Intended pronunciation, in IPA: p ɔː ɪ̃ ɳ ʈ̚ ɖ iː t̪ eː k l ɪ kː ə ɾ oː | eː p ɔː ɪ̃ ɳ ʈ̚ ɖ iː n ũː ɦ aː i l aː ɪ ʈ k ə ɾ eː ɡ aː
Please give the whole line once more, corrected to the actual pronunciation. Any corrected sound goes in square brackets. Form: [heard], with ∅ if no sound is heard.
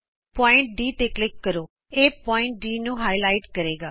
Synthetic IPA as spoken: p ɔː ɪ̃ ɳ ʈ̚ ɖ iː t̪ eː k l ɪ kː ə ɾ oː | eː p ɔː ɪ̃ ɳ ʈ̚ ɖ iː n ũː ɦ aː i l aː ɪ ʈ k ə ɾ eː ɡ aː